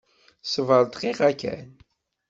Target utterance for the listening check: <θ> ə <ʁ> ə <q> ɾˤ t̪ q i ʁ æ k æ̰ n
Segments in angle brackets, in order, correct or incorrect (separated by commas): incorrect, incorrect, incorrect